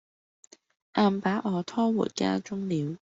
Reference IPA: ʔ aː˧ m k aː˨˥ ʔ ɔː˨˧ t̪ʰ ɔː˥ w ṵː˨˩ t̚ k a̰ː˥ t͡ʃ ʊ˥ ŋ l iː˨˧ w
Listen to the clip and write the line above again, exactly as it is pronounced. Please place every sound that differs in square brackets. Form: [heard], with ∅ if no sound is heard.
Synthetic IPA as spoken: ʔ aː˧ m [p] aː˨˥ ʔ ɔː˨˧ t̪ʰ ɔː˥ w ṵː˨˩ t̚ k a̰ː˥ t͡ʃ ʊ˥ ŋ l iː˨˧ w